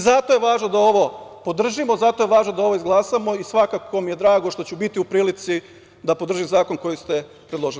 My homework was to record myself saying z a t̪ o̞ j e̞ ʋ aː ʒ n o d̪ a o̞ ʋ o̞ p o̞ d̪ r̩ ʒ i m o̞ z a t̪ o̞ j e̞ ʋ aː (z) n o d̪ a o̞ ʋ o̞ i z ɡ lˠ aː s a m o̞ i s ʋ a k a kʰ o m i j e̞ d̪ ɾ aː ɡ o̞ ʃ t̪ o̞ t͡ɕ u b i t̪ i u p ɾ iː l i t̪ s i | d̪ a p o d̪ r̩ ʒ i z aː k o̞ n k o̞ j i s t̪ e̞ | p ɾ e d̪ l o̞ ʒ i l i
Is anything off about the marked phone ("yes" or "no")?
yes